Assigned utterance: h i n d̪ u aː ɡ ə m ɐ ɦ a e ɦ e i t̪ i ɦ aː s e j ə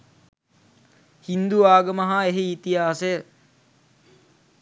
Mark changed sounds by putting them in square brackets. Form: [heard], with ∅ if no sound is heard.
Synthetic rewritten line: h i n d̪ u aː ɡ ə m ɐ ɦ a e ɦ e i t̪ i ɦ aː s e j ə